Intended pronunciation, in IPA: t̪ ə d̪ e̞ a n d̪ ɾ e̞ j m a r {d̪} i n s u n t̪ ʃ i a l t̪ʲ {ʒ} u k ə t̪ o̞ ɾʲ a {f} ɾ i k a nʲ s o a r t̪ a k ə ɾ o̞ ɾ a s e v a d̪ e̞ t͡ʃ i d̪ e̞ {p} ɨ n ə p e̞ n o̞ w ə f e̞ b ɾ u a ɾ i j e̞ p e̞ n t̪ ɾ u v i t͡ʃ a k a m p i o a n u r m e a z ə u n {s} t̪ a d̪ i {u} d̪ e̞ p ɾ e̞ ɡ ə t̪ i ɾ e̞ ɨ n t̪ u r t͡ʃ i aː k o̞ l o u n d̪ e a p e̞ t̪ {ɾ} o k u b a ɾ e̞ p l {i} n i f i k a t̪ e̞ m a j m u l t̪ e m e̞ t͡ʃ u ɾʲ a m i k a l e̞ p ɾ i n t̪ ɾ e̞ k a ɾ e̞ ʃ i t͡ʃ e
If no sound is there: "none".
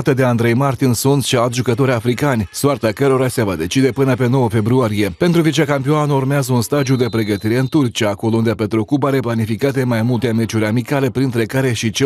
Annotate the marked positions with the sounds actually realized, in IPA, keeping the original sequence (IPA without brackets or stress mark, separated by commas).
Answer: t̪, ʒ, f, p, s, u, ɾ, a